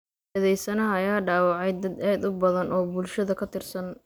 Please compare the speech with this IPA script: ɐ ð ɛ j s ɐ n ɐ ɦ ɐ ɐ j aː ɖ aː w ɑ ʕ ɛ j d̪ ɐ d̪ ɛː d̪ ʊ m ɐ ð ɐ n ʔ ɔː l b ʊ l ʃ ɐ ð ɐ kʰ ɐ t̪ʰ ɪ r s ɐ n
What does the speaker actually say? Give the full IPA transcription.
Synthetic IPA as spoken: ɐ ð ɛ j s ɐ n ɐ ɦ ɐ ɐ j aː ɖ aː w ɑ ʕ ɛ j d̪ ɐ d̪ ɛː d̪ ʊ b ɐ ð ɐ n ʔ ɔː b ʊ l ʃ ɐ ð ɐ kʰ ɐ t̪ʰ ɪ r s ɐ n